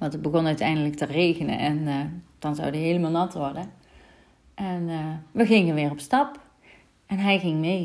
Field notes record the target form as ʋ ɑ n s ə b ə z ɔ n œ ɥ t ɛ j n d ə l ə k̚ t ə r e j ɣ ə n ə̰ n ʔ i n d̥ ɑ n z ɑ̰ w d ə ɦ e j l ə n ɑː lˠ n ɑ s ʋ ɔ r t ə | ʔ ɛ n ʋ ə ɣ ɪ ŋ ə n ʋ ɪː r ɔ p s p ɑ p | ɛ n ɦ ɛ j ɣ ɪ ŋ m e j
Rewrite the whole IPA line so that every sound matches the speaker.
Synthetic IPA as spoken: ʋ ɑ n t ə b ə ɣ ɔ n œ ɥ t ɛ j n d ə l ə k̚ t ə r e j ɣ ə n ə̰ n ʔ ɛ n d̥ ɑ n z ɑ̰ w d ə ɦ e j l ə m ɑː lˠ n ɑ t ʋ ɔ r d ə | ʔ ɛ n ʋ ə ɣ ɪ ŋ ə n ʋ ɪː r ɔ p s t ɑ p | ɛ n ɦ ɛ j ɣ ɪ ŋ m e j